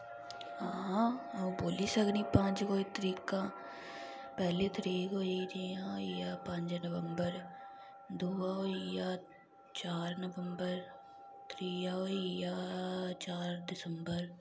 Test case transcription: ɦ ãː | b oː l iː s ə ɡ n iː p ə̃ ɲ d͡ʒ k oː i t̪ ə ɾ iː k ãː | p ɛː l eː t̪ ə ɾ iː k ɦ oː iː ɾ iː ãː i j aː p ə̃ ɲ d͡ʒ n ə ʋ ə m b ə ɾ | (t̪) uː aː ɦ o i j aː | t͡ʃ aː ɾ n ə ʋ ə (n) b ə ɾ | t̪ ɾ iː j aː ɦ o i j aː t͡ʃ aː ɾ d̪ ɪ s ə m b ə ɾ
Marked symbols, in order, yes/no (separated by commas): no, no